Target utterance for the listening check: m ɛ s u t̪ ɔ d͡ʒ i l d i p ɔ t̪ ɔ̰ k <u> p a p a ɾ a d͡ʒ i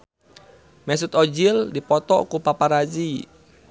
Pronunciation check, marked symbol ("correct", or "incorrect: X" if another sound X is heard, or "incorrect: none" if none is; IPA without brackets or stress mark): correct